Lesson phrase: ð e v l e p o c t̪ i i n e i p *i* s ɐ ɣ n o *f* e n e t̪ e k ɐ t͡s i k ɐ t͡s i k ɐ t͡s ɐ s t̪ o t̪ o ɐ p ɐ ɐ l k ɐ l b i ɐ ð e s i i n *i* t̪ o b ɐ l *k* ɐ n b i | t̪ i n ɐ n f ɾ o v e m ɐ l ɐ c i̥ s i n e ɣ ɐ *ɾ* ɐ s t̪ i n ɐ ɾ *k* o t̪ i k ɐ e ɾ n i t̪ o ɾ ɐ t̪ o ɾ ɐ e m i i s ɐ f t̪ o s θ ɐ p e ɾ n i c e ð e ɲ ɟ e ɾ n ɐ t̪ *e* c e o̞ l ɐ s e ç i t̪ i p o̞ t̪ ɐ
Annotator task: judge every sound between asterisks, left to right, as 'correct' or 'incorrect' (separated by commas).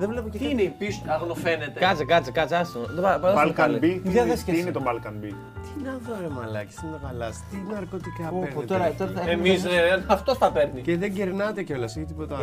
correct, correct, incorrect, correct, incorrect, correct, correct